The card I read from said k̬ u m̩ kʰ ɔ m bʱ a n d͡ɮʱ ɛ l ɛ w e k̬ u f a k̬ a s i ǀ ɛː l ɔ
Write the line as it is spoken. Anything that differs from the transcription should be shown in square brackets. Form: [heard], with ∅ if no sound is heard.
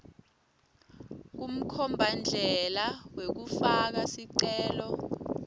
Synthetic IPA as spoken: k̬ u m̩ kʰ ɔ m bʱ a n d͡ɮʱ ɛ l [a] w e k̬ u f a k̬ a s i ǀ ɛː l ɔ